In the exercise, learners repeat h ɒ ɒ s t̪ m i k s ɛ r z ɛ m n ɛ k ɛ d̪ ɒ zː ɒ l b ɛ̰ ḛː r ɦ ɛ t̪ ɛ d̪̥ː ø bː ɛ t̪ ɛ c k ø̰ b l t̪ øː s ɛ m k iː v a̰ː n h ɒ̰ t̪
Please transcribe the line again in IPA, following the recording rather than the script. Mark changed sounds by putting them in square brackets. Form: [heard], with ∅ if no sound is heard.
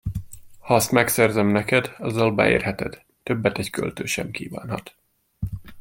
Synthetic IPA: h ɒ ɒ s t̪ m [ɛ] k s ɛ r z ɛ m n ɛ k ɛ d̪ ɒ zː ɒ l b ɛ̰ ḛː r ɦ ɛ t̪ ɛ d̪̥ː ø bː ɛ t̪ ɛ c k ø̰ [∅] l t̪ øː [ʃ] ɛ m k iː v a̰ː n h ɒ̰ t̪